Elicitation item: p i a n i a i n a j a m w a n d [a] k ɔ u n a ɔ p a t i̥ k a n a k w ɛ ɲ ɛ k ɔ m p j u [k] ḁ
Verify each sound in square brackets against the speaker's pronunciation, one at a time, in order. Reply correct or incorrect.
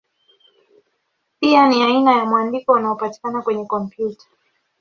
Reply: incorrect: i, incorrect: t

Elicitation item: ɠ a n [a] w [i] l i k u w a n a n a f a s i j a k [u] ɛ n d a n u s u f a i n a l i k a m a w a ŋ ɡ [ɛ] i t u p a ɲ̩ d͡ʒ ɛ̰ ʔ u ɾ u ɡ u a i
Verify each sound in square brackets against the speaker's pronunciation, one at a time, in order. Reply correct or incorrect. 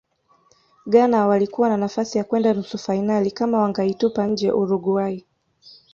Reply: correct, incorrect: a, incorrect: w, incorrect: a

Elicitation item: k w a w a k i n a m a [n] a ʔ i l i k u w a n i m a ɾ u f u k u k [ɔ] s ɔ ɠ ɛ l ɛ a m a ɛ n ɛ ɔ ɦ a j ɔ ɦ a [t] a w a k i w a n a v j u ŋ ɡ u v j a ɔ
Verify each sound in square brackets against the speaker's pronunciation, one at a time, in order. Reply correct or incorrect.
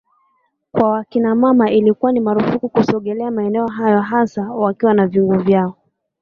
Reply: incorrect: m, incorrect: u, incorrect: s

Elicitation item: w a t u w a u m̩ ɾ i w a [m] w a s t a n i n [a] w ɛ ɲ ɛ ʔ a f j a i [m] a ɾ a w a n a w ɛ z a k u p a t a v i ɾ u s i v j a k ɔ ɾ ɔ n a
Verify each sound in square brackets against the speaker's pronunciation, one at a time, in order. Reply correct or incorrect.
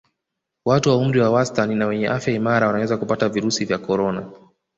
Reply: incorrect: none, correct, correct

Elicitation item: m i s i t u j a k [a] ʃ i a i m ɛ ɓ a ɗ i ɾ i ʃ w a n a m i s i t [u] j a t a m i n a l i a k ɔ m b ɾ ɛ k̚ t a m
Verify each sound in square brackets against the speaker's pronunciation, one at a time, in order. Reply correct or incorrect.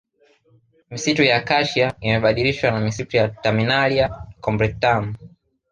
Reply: correct, correct

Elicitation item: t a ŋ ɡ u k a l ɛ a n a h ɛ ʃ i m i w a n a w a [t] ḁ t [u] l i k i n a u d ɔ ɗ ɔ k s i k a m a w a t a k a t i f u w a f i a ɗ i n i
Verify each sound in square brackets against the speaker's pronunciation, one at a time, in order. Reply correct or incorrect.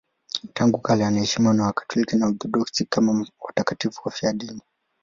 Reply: incorrect: k, incorrect: ɔ

